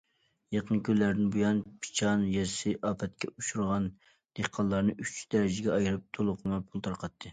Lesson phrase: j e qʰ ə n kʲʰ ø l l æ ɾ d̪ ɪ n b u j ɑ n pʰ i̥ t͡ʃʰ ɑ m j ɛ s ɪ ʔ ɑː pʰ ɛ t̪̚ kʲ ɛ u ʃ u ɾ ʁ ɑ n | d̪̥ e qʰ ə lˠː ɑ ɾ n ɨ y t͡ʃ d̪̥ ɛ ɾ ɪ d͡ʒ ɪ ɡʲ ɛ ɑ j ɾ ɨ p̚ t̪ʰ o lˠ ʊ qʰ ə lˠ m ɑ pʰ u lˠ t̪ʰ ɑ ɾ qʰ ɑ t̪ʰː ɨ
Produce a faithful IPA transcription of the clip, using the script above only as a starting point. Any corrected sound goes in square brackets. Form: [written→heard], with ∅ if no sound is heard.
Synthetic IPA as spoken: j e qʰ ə n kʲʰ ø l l æ ɾ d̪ ɪ n b u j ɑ n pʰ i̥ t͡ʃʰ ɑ [m→n] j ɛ s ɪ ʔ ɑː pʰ ɛ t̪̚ kʲ ɛ u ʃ u ɾ ʁ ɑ n | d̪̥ e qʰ [ə→ɑ] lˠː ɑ ɾ n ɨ y t͡ʃ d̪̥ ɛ ɾ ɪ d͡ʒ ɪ ɡʲ ɛ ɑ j ɾ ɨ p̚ t̪ʰ o lˠ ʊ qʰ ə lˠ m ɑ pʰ u lˠ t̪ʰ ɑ ɾ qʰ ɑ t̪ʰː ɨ